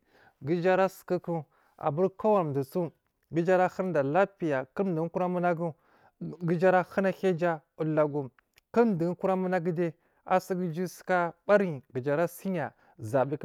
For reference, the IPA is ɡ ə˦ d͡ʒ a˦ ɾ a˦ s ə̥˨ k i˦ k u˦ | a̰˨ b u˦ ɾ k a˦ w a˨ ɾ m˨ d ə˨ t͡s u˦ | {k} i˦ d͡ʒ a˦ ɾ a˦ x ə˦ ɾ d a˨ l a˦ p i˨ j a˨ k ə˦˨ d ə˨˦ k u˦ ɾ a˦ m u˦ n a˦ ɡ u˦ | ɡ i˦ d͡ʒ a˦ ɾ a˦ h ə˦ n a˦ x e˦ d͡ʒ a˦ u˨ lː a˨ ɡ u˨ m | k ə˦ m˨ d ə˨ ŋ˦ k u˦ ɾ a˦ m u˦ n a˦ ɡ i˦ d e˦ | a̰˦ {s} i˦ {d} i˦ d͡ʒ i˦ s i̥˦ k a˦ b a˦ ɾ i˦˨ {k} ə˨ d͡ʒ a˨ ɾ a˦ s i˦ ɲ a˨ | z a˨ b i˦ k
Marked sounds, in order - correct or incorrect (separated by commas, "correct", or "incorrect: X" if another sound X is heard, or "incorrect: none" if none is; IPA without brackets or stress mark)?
incorrect: ɡ, correct, incorrect: ɡ, incorrect: ɡ